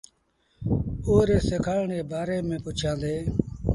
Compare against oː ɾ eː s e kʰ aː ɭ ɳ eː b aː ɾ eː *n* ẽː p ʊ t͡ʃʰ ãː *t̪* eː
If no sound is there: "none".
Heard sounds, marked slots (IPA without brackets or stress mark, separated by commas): m, d̪